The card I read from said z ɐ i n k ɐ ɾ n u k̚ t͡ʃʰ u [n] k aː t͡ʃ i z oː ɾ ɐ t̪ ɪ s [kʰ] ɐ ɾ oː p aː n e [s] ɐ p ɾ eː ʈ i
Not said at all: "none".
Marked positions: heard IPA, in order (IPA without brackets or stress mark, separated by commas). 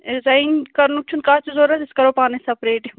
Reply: n, k, s